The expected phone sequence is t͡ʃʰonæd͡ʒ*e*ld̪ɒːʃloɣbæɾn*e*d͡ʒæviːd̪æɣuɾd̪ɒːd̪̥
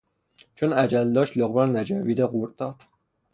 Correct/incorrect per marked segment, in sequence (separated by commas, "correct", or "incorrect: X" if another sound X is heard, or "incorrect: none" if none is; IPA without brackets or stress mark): incorrect: æ, incorrect: æ